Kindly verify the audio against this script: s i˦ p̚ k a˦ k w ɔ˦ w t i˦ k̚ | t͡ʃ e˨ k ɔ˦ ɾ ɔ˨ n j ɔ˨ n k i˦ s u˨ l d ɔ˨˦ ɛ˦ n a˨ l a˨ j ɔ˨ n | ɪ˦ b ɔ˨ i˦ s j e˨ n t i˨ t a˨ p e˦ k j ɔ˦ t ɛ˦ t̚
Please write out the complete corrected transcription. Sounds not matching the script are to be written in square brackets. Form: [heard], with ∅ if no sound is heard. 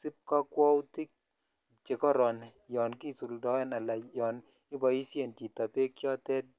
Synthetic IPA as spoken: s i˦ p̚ k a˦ k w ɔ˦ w t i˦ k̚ | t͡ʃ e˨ k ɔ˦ ɾ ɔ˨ n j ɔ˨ n k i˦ s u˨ l d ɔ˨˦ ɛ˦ n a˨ l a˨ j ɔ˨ n | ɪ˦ b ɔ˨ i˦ s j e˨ n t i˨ t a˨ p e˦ k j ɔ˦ t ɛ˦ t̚